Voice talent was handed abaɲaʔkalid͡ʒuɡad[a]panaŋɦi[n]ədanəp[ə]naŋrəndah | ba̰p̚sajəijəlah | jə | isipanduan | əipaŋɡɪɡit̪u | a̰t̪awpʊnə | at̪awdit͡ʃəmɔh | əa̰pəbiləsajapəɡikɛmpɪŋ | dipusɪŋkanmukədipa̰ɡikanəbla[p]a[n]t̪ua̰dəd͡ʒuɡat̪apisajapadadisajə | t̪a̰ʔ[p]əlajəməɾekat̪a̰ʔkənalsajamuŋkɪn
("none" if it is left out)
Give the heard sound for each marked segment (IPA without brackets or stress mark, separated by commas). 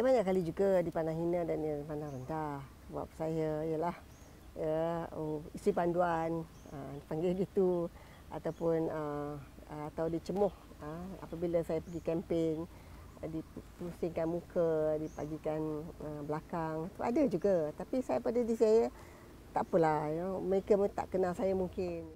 i, n, a, k, ŋ, p